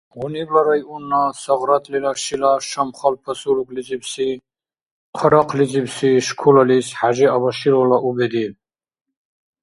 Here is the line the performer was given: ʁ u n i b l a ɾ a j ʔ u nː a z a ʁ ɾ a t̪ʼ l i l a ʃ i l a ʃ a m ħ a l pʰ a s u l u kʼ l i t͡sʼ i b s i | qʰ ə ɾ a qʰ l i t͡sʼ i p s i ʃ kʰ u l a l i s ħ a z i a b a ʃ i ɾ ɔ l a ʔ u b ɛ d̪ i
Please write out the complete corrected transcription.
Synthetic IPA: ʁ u n i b l a ɾ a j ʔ u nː a s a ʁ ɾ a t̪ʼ l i l a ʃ i l a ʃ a m χ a l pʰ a s u l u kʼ l i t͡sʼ i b s i | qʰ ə ɾ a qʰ l i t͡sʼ i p s i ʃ kʰ u l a l i s ħ a ʒ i a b a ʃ i ɾ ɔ l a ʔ u b ɛ d̪ i